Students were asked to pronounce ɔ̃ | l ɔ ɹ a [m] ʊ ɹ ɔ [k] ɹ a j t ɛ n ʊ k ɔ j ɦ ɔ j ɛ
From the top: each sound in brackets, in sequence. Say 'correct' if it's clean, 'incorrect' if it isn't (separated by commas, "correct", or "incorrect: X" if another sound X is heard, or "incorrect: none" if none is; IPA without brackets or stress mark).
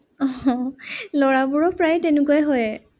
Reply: incorrect: b, incorrect: p